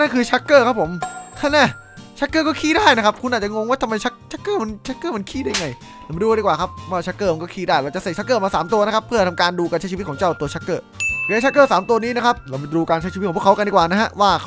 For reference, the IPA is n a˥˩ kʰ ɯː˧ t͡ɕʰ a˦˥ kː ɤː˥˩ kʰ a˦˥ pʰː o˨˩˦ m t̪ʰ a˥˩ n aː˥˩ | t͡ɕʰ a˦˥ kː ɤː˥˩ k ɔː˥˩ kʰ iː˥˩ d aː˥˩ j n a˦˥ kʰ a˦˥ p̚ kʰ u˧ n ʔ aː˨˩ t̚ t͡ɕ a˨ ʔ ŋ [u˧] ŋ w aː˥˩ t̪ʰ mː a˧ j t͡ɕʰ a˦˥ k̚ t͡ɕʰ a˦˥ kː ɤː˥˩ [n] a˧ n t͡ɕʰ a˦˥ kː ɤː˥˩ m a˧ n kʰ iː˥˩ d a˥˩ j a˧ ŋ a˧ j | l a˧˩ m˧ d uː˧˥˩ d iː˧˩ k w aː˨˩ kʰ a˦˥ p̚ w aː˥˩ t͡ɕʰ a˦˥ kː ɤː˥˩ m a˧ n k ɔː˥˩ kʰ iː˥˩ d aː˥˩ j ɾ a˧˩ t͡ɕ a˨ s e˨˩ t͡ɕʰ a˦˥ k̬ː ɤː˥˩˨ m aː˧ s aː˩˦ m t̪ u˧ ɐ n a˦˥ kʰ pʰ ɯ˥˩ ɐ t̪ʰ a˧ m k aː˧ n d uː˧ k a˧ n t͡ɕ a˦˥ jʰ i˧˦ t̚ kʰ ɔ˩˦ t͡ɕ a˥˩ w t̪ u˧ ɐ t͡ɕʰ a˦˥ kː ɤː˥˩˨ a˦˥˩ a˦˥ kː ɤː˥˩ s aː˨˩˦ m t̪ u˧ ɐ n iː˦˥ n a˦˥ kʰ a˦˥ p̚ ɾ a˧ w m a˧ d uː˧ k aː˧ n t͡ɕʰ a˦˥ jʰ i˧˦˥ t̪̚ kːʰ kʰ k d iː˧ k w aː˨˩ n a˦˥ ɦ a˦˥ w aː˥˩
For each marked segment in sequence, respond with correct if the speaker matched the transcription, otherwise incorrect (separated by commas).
incorrect, incorrect